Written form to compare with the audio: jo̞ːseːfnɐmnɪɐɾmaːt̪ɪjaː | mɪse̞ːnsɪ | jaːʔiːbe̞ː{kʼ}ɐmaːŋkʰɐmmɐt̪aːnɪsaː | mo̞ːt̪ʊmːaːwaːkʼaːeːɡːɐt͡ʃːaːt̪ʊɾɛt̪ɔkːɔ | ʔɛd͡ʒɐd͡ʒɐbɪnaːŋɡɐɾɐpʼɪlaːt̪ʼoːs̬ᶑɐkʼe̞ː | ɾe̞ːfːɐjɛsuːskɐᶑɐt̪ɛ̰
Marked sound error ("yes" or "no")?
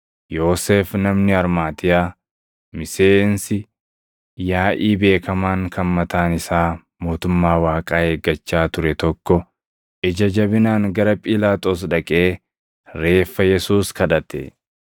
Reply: yes